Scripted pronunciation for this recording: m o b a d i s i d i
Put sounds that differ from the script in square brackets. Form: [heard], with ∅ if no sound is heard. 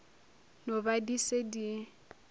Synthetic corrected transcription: [n] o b a d i s [e] d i